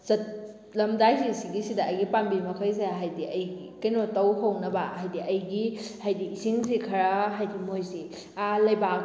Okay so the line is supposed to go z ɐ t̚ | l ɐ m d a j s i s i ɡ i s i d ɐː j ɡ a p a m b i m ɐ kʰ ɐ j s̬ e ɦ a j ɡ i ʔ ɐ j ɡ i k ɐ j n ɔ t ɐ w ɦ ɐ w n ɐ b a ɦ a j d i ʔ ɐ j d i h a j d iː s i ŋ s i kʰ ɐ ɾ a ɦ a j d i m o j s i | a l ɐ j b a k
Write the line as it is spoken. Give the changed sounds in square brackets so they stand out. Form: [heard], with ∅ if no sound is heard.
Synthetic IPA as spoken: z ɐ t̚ | l ɐ m d a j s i s i ɡ i s i d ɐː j ɡ [i] p a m b i m ɐ kʰ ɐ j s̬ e ɦ a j [d] i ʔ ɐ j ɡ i k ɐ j n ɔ t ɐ w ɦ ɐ w n ɐ b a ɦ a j d i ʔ ɐ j [ɡ] i h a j d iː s i ŋ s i kʰ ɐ ɾ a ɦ a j d i m o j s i | a l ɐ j b a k